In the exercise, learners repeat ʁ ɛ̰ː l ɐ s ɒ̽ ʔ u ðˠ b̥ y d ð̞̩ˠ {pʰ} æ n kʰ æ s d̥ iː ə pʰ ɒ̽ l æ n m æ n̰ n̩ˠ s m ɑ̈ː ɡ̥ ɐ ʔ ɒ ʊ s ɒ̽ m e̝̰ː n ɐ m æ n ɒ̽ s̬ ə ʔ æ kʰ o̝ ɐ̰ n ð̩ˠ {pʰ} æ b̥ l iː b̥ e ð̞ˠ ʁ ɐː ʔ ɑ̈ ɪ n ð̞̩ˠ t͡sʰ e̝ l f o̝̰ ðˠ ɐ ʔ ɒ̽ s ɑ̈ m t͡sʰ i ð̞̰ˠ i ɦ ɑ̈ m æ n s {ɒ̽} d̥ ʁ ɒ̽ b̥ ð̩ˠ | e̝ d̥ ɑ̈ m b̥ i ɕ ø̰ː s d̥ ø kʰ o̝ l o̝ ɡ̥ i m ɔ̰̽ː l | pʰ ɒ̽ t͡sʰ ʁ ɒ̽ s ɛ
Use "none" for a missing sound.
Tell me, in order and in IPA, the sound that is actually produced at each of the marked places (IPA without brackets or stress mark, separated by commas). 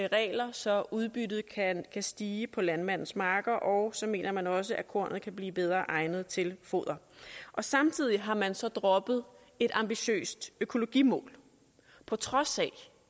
kʰ, kʰ, ɒ̽